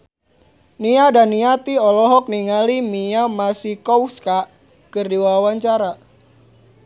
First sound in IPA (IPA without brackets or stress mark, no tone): n